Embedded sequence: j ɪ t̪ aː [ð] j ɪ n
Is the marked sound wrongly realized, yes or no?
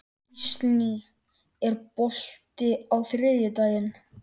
yes